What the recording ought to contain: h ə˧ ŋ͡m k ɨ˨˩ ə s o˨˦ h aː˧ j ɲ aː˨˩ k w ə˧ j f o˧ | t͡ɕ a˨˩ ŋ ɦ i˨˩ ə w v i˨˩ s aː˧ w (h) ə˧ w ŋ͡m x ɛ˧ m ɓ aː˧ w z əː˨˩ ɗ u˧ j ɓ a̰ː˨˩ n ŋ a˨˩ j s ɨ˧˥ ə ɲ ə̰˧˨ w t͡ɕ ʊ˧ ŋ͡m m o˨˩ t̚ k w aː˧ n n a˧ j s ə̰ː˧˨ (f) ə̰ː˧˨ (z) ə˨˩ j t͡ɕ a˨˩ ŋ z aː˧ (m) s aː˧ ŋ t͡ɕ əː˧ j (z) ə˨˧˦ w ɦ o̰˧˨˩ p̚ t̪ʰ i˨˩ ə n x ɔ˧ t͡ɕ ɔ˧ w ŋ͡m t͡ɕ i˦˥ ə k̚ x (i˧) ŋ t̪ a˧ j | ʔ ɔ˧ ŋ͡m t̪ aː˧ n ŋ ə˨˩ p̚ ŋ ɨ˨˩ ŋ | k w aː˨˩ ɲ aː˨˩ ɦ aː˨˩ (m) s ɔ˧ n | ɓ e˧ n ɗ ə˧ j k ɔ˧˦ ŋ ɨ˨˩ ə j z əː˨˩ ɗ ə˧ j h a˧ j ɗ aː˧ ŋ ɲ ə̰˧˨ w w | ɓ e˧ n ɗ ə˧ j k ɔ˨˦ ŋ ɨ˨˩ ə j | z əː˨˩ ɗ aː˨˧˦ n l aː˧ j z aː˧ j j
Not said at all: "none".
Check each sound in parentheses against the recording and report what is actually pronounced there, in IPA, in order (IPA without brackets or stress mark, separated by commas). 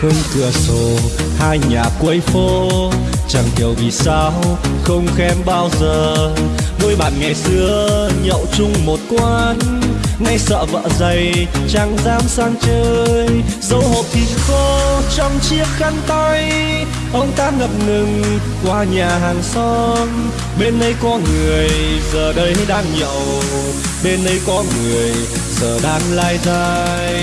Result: x, v, z, m, z, a˧, ŋ